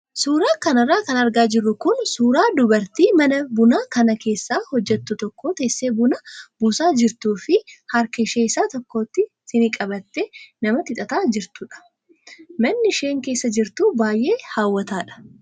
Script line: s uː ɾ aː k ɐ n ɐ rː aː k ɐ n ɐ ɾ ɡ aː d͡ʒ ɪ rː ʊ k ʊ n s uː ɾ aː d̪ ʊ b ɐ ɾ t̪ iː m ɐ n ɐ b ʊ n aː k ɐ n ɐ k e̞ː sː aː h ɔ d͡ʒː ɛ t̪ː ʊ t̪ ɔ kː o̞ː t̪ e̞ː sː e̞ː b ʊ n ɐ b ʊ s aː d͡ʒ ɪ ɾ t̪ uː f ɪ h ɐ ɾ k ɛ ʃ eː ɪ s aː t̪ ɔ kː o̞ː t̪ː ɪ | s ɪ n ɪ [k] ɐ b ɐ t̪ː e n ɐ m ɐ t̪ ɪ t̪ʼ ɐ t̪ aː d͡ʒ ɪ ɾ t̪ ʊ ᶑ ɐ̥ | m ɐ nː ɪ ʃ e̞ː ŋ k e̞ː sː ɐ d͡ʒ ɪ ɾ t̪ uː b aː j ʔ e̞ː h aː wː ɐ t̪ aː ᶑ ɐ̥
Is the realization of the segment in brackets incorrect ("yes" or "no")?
yes